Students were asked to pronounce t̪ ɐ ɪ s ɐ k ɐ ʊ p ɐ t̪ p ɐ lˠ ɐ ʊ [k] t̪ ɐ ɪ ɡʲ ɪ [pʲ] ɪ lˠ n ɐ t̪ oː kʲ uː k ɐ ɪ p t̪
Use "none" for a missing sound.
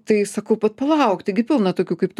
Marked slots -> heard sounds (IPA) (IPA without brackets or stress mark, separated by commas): k, pʲ